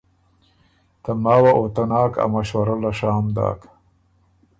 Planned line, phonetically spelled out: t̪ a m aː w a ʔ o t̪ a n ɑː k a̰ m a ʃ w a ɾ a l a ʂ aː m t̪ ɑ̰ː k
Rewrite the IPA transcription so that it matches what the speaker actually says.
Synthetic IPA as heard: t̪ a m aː w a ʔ o t̪ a n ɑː k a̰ m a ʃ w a ɾ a l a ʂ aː m d̪ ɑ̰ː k

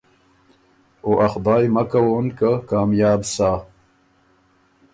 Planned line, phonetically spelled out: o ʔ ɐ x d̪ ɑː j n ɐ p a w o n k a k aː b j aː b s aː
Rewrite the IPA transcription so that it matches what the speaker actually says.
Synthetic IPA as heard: o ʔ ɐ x d̪ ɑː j m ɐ k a w o n k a k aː m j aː b s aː

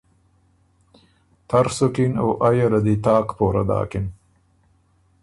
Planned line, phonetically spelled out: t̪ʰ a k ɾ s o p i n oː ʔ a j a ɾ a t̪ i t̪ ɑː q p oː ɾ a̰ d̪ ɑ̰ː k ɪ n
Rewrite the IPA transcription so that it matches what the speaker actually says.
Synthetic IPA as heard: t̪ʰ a ɾ s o k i n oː ʔ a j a ɾ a d̪ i t̪ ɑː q p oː ɾ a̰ d̪ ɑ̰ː k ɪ n

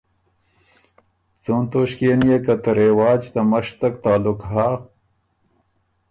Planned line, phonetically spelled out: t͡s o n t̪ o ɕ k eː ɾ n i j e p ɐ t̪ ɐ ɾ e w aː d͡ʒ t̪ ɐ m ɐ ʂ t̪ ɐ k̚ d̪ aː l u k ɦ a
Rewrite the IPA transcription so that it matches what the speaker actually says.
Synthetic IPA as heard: t͡s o n t̪ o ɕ k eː n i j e k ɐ t̪ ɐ ɾ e w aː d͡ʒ t̪ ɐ m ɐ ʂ t̪ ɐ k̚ t̪ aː l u k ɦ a

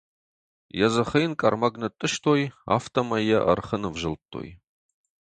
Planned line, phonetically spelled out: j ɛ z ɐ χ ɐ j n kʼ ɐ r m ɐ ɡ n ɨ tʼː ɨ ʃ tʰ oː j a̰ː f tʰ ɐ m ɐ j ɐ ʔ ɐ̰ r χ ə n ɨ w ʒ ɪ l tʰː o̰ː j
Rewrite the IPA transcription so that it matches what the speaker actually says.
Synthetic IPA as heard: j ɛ z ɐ χ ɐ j n kʼ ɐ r m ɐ ɡ n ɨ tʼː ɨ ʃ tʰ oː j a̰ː f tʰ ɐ m ɐ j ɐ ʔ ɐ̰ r χ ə n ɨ v ʒ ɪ l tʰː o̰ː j

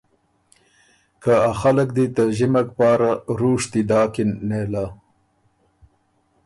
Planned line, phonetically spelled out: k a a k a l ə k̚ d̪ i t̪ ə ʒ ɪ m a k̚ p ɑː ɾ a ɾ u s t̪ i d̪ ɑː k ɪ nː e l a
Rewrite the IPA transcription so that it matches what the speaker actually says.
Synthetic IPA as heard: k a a x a l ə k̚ d̪ i t̪ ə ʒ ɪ m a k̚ p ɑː ɾ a ɾ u ʂ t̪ i d̪ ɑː k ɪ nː e l a

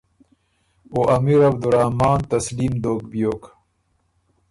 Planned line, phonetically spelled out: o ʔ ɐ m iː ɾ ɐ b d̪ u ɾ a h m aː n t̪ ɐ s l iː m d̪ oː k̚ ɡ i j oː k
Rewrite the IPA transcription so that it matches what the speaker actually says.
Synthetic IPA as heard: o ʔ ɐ m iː ɾ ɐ b d̪ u ɾ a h m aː n t̪ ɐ s l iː m d̪ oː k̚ b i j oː k

